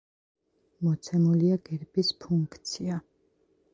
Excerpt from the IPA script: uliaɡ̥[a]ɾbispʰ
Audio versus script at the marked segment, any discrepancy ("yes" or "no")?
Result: yes